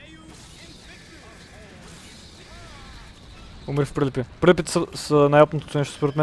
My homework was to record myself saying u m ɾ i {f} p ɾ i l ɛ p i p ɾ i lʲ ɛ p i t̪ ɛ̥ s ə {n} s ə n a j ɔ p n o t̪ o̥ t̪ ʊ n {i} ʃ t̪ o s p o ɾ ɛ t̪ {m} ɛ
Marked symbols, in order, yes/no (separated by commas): yes, no, no, yes